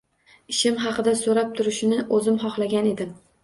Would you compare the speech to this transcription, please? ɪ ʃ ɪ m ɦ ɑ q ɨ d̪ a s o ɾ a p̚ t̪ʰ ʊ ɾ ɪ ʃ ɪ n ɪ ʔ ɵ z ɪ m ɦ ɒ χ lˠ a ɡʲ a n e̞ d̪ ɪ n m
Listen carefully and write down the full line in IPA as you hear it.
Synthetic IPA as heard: ɪ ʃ ɪ m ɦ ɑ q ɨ d̪ a s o ɾ a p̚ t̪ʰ ʊ ɾ ɪ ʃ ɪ n ɪ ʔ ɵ z ɪ m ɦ ɒ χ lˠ a ɡʲ a n e̞ d̪ ɪ m